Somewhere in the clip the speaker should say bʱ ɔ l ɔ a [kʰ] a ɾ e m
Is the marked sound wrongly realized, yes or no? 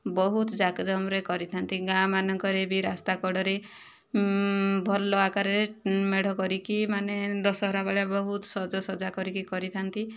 yes